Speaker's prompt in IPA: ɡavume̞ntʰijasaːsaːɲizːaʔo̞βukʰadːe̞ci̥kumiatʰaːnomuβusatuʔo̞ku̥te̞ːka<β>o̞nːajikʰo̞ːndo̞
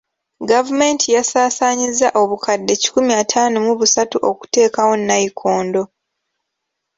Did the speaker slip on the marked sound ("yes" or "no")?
yes